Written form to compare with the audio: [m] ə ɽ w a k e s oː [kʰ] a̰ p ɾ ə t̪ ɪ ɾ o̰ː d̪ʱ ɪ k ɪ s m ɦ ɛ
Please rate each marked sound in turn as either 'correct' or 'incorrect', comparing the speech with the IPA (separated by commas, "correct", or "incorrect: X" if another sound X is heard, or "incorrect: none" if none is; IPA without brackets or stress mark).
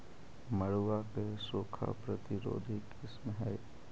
correct, correct